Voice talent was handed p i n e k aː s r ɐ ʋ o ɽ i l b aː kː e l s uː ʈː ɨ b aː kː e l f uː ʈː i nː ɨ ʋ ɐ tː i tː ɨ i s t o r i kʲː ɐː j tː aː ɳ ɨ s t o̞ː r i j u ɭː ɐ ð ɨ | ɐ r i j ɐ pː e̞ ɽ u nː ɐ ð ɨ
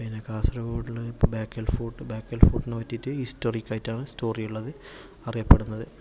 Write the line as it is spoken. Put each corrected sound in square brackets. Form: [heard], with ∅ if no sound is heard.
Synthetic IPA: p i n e k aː s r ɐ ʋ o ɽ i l b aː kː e l [f] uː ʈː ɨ b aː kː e l f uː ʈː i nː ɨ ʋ ɐ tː i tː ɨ i s t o r i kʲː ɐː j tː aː ɳ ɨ s t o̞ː r i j u ɭː ɐ ð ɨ | ɐ r i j ɐ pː e̞ ɽ u nː ɐ ð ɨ